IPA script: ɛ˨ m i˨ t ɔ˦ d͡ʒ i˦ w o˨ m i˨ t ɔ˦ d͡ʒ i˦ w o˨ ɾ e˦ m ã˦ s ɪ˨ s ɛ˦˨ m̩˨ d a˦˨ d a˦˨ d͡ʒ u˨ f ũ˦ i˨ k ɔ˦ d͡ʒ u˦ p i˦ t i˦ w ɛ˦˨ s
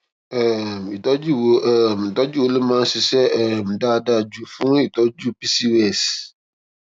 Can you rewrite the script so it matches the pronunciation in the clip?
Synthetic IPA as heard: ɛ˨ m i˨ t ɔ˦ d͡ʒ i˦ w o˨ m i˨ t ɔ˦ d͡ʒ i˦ w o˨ l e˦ m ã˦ s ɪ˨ s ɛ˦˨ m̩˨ d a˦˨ d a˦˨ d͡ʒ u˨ f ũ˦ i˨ t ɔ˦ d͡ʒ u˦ p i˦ s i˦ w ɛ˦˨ s